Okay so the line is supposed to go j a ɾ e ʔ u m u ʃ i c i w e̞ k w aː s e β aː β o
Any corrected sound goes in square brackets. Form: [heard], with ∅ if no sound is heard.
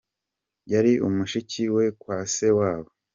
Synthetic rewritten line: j a ɾ [i] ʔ u m u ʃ i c i w e̞ k w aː s e [w] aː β o